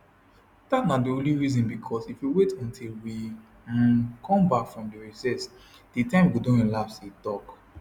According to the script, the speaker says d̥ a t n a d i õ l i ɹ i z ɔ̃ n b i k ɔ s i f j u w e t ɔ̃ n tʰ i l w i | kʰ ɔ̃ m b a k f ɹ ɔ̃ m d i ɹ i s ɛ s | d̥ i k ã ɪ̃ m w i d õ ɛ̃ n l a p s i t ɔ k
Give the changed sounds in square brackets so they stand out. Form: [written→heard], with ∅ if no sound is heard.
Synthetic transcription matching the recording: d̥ a t n a d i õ l i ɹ i z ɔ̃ n b i [k→kʰ] ɔ s i f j u w e t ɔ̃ n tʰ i l w i | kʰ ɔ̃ m b a k f ɹ ɔ̃ m d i ɹ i s ɛ s | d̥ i [k→t] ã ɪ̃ m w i d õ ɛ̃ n l a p s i t ɔ k